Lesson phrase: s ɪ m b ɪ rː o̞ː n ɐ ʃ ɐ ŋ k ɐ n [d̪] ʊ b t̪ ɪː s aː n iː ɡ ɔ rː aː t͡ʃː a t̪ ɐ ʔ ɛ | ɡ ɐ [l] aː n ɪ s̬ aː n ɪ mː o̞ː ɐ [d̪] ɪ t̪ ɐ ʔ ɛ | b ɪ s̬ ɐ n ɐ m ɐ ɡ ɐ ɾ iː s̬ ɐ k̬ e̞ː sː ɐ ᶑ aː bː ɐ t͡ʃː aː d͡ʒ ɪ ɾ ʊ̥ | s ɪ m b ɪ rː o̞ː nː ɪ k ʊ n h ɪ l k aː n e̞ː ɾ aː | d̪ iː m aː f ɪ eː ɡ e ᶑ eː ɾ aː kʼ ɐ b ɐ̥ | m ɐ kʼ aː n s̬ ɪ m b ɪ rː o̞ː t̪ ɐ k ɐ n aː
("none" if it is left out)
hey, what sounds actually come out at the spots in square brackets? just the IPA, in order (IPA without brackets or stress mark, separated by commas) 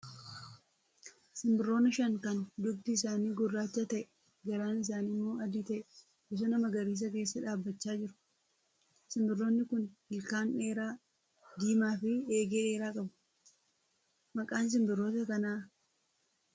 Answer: d̪, ɾ, d̪